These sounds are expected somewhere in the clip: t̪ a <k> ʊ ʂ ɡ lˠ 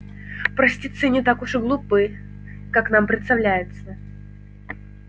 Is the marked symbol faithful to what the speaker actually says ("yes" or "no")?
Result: yes